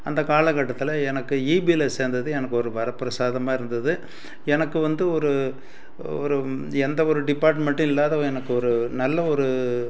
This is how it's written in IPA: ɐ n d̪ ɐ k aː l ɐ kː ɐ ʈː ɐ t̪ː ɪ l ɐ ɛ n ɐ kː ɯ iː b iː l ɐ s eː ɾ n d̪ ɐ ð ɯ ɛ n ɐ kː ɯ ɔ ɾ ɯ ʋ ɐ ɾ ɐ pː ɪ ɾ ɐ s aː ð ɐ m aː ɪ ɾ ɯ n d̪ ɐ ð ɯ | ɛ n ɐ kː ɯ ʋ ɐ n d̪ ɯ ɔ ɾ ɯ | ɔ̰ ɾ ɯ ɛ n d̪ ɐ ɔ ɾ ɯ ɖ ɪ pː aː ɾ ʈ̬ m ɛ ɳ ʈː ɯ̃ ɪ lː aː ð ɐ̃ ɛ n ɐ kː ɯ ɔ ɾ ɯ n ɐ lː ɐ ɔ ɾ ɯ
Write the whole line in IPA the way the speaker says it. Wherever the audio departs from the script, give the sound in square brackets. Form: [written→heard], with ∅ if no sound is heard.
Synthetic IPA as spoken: ɐ n d̪ ɐ k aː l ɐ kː ɐ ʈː ɐ t̪ː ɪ l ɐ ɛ n ɐ kː ɯ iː b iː l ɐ s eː ɾ n d̪ ɐ ð ɯ ɛ n ɐ kː ɯ ɔ ɾ ɯ ʋ ɐ ɾ ɐ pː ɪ ɾ ɐ s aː ð ɐ m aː ɪ ɾ ɯ n d̪ ɐ ð ɯ | ɛ n ɐ kː ɯ ʋ ɐ n d̪ ɯ ɔ ɾ ɯ | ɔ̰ ɾ ɯ ɛ n d̪ ɐ ɔ ɾ ɯ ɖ ɪ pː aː ɾ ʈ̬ m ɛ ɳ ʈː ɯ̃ ɪ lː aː ð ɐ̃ ɛ n ɐ kː ɯ ɔ ɾ ɯ n ɐ lː ɐ ɔ ɾ ɯ